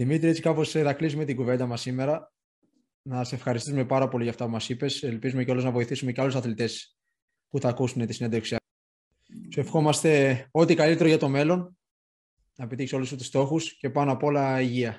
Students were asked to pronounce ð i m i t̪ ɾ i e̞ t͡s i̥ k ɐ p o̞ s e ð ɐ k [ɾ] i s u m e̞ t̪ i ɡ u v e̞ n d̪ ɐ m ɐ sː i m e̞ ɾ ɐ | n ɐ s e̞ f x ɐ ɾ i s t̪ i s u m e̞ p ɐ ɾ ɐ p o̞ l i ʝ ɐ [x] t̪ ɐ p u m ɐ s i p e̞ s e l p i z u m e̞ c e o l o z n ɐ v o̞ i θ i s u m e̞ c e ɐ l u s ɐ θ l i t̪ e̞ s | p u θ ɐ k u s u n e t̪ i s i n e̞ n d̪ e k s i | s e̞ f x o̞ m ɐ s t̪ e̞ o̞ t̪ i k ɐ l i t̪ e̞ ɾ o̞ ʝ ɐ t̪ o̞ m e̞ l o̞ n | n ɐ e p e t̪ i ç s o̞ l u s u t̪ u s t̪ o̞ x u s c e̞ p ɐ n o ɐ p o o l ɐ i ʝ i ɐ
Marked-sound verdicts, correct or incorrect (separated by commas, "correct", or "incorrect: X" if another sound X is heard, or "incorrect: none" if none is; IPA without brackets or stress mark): incorrect: l, incorrect: f